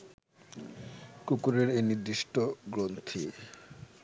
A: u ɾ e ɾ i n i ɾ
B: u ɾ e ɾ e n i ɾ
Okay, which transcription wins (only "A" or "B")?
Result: B